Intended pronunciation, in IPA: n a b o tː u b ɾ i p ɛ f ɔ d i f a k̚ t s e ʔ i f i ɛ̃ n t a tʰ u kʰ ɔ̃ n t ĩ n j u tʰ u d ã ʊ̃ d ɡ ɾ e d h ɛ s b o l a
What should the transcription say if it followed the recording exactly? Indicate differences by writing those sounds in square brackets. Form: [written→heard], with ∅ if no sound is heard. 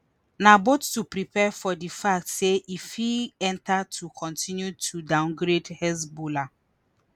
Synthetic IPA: n a b o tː u [b→p] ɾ i p ɛ f ɔ d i f a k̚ t s e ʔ i f i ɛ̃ n t a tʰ u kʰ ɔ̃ n t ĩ n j u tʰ u d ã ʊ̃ [d→n] ɡ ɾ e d h ɛ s b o l a